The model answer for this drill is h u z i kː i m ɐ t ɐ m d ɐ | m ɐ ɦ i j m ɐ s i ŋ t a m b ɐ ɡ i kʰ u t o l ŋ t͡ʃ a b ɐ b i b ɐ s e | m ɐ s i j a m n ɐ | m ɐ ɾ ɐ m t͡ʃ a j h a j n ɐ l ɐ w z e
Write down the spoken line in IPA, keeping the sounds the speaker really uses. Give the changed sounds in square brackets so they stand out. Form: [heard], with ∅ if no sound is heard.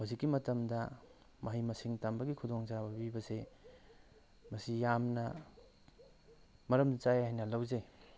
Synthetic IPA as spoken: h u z i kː i m ɐ t ɐ m d ɐ | m ɐ ɦ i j m ɐ s i ŋ t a m b ɐ ɡ i kʰ u [d] o [∅] ŋ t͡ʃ a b ɐ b i b ɐ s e | m ɐ s i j a m n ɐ | m ɐ ɾ ɐ m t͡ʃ a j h a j n ɐ l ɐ w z e